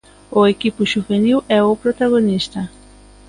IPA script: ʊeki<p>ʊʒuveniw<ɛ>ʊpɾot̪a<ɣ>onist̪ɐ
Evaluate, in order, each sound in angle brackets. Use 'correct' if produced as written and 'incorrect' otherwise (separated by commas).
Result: correct, correct, correct